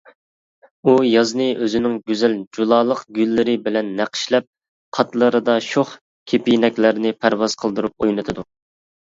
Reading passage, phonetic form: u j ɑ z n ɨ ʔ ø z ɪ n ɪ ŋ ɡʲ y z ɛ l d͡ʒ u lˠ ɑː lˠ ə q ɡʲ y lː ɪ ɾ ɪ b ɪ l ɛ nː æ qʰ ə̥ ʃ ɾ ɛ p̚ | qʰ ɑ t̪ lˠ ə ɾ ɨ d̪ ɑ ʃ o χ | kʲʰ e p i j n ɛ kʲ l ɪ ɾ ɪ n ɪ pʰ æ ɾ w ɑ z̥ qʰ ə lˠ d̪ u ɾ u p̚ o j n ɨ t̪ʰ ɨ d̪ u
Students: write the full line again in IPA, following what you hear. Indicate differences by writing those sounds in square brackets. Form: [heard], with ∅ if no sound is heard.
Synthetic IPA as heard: u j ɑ z n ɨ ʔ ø z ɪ n ɪ ŋ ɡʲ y z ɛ l d͡ʒ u lˠ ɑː lˠ ə q ɡʲ y lː ɪ ɾ ɪ b ɪ l ɛ nː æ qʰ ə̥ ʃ [l] ɛ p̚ | qʰ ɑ t̪ lˠ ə ɾ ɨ d̪ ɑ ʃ o χ | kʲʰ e p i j n ɛ kʲ l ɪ ɾ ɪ n ɪ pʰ æ ɾ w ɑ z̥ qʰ ə lˠ d̪ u ɾ u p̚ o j n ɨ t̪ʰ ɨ d̪ u